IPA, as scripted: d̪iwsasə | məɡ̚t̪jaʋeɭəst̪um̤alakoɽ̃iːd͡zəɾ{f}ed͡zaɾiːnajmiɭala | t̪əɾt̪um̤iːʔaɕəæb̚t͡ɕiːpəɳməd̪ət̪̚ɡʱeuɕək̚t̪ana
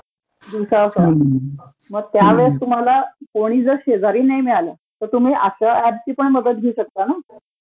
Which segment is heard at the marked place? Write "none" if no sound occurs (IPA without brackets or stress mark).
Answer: ɕ